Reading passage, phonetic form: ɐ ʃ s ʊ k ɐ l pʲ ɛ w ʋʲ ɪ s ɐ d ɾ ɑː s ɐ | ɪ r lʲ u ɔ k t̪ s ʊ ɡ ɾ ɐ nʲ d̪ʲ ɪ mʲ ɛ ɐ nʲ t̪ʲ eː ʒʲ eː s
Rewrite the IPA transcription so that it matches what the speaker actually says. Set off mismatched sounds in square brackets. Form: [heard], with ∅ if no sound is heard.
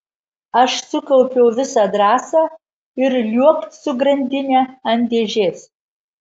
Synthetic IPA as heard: ɐ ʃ s ʊ k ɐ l pʲ ɛ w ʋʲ ɪ s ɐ d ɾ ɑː s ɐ | ɪ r lʲ u ɔ k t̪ s ʊ ɡ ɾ ɐ nʲ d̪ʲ ɪ [nʲ] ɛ ɐ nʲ [d̪ʲ] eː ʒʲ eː s